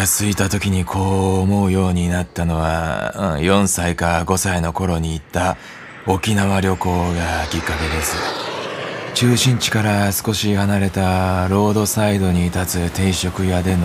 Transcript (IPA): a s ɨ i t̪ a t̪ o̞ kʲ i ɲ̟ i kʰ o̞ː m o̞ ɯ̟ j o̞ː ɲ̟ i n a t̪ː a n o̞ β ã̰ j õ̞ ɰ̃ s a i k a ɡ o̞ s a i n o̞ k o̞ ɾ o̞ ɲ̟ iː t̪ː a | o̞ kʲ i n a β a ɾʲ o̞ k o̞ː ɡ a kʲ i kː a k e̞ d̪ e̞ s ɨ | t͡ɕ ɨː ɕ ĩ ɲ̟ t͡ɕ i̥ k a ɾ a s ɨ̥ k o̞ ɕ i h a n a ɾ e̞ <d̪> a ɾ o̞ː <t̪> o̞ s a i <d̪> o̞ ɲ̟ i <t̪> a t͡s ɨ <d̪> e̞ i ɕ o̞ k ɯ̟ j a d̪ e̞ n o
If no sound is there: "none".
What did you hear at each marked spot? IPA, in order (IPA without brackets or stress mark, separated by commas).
t̪, d̪, d̪, t̪, t̪